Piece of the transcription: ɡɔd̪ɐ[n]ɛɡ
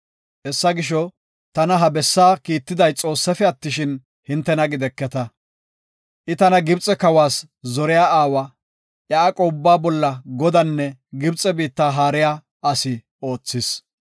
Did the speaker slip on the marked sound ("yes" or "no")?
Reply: yes